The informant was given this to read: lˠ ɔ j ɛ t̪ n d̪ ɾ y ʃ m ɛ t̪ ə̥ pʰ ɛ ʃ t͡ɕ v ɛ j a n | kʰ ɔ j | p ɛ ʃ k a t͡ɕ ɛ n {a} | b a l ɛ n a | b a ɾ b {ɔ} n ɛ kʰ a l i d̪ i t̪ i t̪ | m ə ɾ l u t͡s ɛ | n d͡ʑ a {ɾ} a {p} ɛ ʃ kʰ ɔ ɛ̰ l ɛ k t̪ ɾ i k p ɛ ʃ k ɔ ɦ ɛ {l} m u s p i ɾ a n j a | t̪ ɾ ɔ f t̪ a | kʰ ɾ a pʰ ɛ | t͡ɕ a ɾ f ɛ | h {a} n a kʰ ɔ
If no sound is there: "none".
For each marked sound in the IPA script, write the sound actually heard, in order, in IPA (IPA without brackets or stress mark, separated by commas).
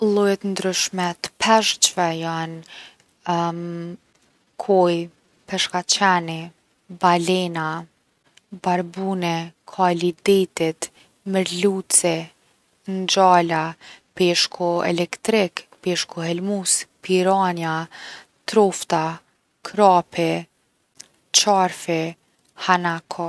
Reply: i, u, l, p, l, a